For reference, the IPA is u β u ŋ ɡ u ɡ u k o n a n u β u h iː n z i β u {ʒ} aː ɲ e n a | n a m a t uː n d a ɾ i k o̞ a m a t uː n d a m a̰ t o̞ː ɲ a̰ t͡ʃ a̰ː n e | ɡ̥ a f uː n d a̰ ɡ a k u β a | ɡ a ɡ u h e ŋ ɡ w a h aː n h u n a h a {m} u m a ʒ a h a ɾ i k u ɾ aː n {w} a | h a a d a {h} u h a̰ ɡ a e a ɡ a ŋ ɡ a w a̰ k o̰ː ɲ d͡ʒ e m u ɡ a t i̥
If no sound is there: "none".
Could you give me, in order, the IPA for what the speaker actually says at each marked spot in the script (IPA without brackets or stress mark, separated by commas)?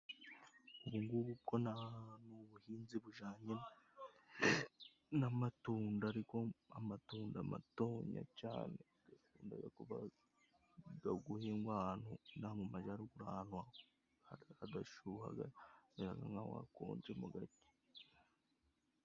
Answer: ʒ, m, w, ʃ